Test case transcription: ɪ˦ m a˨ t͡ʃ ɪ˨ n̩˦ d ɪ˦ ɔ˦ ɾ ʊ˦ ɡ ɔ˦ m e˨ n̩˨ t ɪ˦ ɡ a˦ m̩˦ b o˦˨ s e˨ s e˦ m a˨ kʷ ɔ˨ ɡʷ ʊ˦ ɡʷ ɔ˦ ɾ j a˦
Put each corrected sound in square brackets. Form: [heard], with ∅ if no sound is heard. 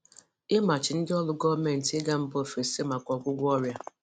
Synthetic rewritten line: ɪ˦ m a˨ t͡ʃ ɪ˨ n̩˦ d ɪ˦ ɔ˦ [l] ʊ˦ ɡ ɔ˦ m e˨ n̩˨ t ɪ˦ ɡ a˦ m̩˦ b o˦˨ [f] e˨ s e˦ m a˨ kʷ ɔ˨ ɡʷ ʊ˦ ɡʷ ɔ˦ ɾ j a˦